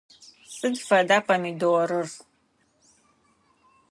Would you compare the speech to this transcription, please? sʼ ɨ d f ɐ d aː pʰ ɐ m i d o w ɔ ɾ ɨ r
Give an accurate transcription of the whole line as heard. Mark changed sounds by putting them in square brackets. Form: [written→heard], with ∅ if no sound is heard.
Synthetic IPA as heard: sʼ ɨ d f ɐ d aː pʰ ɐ m i d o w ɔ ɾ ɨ r